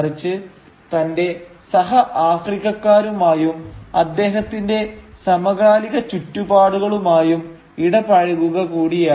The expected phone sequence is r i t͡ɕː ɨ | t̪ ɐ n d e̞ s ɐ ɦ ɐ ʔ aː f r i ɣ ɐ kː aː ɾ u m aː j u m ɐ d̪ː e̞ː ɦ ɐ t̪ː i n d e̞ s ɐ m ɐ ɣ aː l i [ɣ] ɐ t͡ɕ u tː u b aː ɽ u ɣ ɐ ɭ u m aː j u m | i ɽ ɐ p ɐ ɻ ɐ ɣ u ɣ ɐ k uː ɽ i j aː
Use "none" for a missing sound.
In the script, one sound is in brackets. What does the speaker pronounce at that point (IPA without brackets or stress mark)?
ɣ